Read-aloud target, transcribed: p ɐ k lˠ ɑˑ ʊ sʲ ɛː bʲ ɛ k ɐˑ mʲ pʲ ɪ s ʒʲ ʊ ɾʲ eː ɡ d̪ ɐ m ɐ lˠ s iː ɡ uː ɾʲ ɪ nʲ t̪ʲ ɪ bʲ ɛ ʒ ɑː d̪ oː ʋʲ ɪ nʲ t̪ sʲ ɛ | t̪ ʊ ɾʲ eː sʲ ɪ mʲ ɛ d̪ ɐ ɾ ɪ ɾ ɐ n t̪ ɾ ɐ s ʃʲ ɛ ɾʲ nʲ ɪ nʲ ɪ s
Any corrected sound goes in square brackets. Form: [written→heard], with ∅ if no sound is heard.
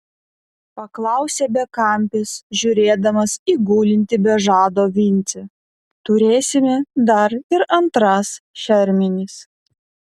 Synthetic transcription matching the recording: p ɐ k lˠ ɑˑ ʊ sʲ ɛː bʲ ɛ k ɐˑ mʲ pʲ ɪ s ʒʲ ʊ ɾʲ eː [ɡ→∅] d̪ ɐ m ɐ [lˠ→∅] s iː ɡ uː [ɾʲ→lʲ] ɪ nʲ t̪ʲ ɪ bʲ ɛ ʒ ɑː d̪ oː ʋʲ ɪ nʲ t̪ sʲ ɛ | t̪ ʊ ɾʲ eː sʲ ɪ mʲ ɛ d̪ ɐ ɾ ɪ ɾ ɐ n t̪ ɾ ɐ s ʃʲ ɛ ɾʲ [nʲ→mʲ] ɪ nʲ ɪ s